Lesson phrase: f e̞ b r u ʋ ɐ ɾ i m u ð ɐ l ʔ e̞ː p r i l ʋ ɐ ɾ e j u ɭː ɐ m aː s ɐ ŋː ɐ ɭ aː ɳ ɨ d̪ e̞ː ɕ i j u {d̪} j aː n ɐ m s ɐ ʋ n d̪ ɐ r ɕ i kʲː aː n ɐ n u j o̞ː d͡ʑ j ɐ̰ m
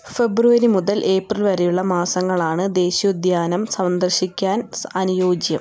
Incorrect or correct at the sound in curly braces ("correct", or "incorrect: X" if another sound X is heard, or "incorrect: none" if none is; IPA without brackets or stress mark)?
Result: correct